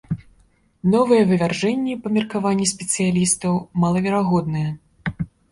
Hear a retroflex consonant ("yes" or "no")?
yes